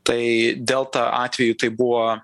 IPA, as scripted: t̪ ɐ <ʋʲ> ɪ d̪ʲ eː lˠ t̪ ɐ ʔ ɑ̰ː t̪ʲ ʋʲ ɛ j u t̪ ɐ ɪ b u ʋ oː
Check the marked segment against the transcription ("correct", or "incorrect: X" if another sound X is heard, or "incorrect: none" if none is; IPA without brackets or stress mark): incorrect: none